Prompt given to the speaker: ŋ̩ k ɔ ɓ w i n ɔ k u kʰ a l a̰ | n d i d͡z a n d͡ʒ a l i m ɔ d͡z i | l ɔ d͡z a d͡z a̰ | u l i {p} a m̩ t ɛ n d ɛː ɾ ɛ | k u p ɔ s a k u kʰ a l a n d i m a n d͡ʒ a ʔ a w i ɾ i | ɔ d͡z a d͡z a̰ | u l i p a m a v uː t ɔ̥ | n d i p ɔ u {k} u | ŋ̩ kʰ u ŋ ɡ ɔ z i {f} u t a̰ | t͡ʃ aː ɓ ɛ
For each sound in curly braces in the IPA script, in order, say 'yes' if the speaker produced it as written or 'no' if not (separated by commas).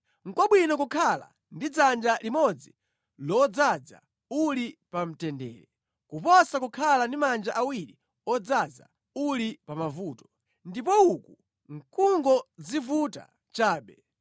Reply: yes, yes, no